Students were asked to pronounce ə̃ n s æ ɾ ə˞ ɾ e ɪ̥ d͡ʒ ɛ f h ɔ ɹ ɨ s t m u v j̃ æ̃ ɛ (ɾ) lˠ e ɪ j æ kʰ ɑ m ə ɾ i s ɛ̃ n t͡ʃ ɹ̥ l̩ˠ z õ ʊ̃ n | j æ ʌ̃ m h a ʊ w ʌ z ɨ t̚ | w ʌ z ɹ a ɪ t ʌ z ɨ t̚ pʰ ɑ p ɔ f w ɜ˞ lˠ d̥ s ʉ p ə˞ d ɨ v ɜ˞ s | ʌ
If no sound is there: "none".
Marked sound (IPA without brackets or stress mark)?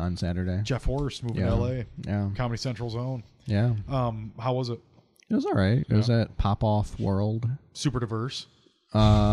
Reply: none